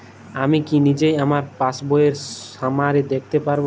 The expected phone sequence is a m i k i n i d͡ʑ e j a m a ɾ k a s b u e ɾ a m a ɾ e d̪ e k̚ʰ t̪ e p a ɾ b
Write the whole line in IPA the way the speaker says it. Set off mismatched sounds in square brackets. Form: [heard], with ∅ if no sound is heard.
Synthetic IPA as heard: a m i k i n i d͡ʑ e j a m a ɾ [p] a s b [o] e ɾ a m a ɾ e d̪ e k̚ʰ t̪ e p a ɾ b